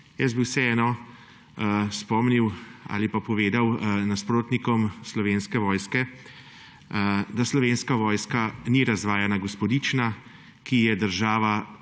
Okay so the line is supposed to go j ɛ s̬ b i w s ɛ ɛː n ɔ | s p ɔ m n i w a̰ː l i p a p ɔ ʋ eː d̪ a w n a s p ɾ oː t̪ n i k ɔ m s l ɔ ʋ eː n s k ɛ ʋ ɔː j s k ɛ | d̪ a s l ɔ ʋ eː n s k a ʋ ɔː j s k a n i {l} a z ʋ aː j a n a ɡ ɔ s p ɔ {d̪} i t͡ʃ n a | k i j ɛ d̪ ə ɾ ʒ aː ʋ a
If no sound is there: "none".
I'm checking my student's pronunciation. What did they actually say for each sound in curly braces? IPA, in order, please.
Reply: ɾ, d̪

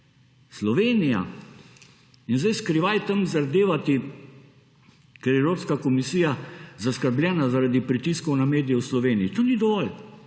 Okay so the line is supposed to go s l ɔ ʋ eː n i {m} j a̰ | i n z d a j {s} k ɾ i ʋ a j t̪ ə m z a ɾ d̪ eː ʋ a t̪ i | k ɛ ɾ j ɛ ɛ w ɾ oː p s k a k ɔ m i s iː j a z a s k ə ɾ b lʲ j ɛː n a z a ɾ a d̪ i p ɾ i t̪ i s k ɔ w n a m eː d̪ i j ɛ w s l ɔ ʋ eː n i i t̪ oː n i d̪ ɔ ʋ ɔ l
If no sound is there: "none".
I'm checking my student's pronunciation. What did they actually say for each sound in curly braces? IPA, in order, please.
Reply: none, s

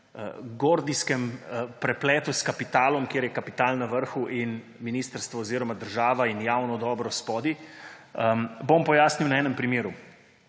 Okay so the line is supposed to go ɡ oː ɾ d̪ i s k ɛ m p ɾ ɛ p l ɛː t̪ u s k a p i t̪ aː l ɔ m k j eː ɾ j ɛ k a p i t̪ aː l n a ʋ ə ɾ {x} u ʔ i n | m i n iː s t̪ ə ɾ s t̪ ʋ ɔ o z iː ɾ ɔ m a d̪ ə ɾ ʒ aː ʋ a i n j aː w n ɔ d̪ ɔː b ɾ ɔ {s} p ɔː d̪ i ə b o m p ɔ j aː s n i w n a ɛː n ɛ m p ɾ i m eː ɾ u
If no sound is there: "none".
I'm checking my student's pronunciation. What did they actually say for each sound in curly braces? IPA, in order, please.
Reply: x, s

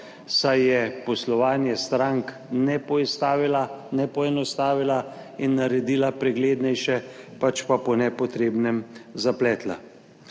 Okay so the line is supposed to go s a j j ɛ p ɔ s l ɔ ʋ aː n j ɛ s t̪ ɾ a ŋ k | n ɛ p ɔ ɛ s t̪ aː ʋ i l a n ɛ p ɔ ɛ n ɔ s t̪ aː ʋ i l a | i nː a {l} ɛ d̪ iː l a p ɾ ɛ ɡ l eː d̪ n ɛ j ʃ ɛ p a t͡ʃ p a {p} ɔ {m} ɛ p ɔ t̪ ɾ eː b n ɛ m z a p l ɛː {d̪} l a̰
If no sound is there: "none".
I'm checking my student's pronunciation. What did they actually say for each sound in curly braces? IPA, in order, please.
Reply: ɾ, p, n, t̪

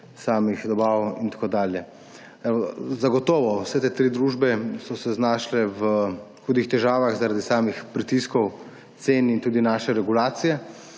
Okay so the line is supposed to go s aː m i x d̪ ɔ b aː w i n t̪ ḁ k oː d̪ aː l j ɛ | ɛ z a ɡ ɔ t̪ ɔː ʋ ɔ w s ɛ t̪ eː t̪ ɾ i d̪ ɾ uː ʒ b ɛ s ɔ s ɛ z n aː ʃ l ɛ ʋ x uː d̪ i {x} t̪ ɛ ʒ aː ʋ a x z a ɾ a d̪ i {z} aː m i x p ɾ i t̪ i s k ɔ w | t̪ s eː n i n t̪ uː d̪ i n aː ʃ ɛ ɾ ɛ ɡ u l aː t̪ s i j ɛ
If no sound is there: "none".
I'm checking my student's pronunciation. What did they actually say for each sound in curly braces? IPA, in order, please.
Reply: x, s

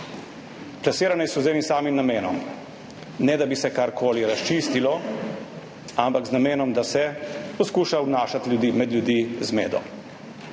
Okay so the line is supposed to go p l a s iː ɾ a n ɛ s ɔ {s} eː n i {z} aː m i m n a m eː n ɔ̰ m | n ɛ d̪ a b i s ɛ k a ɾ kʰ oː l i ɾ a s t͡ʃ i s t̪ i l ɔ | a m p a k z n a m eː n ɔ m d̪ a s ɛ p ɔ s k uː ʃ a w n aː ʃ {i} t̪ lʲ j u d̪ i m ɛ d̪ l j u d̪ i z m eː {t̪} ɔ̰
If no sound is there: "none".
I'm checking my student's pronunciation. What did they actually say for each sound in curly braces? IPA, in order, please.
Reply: z, s, a, d̪

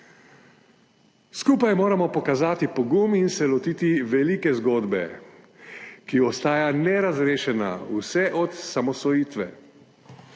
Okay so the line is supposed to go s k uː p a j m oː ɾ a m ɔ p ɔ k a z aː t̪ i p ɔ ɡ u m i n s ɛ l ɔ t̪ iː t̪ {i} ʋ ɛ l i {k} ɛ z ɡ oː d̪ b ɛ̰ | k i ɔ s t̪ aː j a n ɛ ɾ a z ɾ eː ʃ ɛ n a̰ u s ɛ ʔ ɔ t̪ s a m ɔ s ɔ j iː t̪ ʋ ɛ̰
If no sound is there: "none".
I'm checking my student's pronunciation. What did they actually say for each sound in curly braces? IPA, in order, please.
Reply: i, k

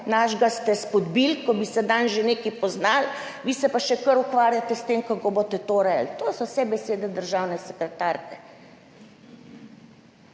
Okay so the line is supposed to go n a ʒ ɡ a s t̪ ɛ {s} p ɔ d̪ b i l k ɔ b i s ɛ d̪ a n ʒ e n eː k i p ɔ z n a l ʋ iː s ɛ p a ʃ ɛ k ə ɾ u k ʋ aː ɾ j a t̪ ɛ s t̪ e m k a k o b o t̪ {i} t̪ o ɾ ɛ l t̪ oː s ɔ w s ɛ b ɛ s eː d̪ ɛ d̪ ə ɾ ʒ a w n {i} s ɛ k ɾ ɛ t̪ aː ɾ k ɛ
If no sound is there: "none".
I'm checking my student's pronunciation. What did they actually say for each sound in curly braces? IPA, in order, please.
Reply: s, ɛ, ɛ

